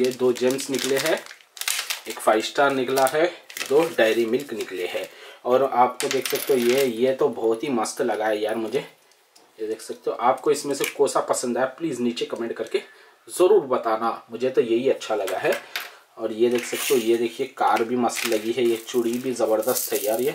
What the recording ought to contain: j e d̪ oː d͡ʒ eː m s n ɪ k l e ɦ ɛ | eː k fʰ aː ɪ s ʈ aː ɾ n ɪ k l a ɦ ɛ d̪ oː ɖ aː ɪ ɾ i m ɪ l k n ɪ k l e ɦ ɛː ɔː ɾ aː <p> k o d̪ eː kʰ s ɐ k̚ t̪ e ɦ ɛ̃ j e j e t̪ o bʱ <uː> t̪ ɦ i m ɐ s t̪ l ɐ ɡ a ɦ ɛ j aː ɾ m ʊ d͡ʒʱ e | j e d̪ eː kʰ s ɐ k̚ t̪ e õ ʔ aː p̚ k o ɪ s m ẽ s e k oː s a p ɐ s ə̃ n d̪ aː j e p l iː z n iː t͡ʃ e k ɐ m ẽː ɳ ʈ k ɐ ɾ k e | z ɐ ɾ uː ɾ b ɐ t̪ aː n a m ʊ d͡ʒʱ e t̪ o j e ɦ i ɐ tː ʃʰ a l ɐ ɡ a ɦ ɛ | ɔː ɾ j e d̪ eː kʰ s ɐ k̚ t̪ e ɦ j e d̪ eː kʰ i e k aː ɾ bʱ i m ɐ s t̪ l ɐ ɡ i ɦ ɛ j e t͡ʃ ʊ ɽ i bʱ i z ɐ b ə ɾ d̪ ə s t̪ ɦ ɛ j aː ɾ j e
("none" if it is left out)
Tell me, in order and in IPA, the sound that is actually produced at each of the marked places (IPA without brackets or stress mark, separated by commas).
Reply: p, ɔː